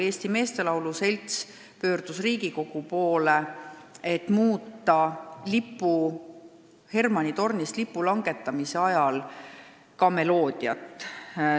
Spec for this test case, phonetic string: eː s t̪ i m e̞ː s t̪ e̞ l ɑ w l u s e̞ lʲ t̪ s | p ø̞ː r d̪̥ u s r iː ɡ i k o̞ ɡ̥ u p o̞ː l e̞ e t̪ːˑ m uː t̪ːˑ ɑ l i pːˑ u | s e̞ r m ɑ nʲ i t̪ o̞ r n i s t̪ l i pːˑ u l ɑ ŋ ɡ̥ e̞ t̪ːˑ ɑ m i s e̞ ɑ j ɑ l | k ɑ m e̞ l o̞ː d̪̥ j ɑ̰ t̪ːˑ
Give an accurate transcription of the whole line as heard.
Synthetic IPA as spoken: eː s t̪ i m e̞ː s t̪ e̞ l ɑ w l u s e̞ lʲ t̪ s | p ø̞ː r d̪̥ u s r iː ɡ i k o̞ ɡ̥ u p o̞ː l e̞ e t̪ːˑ m uː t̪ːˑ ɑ l i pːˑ u | h e̞ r m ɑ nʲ i t̪ o̞ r n i s t̪ l i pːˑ u l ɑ ŋ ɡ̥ e̞ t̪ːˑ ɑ m i s e̞ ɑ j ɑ l | k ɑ m e̞ l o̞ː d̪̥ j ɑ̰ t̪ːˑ